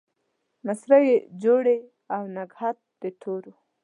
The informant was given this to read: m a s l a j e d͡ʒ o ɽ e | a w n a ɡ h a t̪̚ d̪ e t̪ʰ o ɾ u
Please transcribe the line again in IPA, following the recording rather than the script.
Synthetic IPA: m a s ɾ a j e d͡ʒ o ɽ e | a w n a ɡ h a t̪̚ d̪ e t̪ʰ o ɾ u